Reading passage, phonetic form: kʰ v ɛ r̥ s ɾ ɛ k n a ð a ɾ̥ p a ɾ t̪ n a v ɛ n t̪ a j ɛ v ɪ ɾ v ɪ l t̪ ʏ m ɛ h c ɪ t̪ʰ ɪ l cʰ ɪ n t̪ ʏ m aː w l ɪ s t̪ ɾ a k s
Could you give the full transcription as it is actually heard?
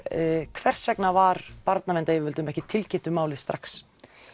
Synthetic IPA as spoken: kʰ v ɛ r̥ s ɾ ɛ k n a v a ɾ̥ p a ɾ t̪ n a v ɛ n t̪ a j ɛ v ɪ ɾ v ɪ l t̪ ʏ m ɛ h c ɪ t̪ʰ ɪ l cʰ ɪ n t̪ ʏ m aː w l ɪ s t̪ ɾ a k s